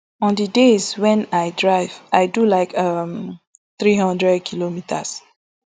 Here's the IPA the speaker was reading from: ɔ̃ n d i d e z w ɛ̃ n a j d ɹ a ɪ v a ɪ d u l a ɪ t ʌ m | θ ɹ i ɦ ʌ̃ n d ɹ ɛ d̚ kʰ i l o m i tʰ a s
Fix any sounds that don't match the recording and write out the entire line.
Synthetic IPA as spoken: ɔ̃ n d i d e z w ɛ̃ n a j d ɹ a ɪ v a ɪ d u l a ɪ k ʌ m | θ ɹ i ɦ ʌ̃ n d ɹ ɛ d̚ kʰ i l o m i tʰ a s